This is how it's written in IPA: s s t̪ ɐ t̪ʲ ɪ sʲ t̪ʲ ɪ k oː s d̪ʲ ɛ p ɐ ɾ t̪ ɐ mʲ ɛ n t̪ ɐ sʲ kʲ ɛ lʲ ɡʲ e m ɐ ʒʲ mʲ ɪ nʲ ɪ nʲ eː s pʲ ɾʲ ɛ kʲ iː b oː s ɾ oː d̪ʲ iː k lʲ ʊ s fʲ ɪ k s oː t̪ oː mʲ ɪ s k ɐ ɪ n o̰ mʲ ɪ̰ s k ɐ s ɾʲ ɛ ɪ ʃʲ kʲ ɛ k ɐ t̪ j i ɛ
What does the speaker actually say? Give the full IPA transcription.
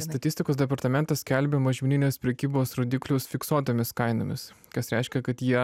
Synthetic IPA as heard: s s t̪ ɐ t̪ʲ ɪ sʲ t̪ʲ ɪ k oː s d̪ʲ ɛ p ɐ ɾ t̪ ɐ mʲ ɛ n t̪ ɐ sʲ kʲ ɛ lʲ bʲ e m ɐ ʒʲ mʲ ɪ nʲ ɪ nʲ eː s pʲ ɾʲ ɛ kʲ iː b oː s ɾ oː d̪ʲ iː k lʲ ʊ s fʲ ɪ k s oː t̪ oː mʲ ɪ s k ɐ ɪ n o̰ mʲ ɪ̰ s k ɐ s ɾʲ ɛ ɪ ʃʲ kʲ ɛ k ɐ t̪ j i ɛ